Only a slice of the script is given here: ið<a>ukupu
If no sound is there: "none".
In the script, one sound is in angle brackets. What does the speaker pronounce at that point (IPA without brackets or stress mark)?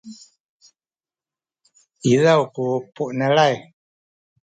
a